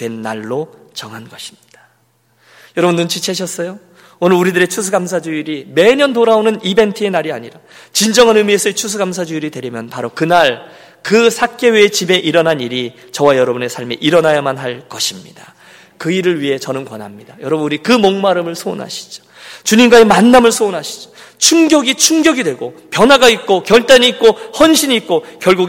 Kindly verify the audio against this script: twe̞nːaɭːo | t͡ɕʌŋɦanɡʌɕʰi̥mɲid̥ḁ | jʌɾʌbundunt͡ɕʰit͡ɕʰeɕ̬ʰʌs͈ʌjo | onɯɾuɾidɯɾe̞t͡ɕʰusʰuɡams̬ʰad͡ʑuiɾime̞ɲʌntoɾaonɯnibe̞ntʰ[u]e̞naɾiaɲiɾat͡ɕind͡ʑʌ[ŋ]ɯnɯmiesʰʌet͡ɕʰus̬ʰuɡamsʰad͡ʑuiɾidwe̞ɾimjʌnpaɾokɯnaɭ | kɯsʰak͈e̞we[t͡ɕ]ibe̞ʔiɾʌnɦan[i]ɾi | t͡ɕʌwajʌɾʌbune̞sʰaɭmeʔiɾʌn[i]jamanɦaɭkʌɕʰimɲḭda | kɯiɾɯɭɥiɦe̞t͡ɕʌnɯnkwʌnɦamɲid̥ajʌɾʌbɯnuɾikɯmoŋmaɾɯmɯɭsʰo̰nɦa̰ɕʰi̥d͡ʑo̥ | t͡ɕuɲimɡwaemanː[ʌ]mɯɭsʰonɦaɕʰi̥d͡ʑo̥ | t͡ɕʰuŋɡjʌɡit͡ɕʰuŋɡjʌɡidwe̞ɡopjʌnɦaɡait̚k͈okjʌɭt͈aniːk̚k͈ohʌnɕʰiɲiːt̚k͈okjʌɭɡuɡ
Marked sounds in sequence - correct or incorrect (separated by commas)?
incorrect, correct, correct, correct, incorrect, incorrect